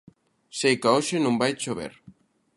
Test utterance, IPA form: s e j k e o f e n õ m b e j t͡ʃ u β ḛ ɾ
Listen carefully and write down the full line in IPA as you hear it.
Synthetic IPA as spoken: s e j k a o ʃ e n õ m b a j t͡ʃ o β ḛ ɾ